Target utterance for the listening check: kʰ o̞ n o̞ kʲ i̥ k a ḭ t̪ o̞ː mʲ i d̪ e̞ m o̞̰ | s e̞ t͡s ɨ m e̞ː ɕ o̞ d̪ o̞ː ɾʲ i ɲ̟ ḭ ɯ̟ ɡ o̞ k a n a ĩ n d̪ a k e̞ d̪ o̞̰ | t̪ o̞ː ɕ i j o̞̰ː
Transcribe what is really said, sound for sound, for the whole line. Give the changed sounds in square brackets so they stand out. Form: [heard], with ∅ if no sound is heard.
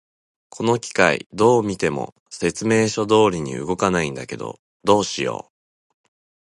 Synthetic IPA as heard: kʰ o̞ n o̞ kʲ i̥ k a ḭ [d̪] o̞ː mʲ i [t̪] e̞ m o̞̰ | s e̞ t͡s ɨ m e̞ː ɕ o̞ d̪ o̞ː ɾʲ i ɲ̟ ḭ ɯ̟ ɡ o̞ k a n a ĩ n d̪ a k e̞ d̪ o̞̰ | [d̪] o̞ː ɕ i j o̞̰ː